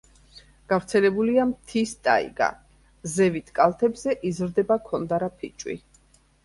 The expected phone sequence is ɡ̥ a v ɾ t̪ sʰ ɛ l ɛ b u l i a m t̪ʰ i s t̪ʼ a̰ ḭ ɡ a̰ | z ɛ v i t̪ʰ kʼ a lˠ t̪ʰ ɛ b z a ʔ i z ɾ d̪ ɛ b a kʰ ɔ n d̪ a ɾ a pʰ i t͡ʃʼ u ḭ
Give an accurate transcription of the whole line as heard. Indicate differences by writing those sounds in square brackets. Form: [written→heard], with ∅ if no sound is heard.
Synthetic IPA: ɡ̥ a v ɾ t̪ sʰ ɛ l ɛ b u l i a m t̪ʰ i s t̪ʼ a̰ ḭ ɡ a̰ | z ɛ v i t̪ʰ kʼ a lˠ t̪ʰ ɛ b z [a→ɛ] ʔ i z ɾ d̪ ɛ b a kʰ ɔ n d̪ a ɾ a pʰ i t͡ʃʼ [u→w] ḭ